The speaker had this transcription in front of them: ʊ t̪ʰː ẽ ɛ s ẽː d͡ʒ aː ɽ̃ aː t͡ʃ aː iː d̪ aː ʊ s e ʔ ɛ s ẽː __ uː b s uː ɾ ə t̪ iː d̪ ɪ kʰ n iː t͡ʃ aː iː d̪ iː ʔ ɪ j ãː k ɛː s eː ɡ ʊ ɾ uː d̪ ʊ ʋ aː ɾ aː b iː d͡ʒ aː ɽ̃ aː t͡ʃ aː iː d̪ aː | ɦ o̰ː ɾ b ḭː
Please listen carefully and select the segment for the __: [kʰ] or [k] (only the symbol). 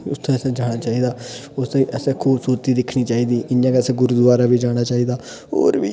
kʰ